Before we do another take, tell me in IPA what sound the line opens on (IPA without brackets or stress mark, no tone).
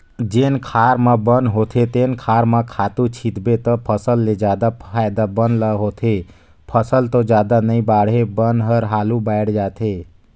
d͡ʒ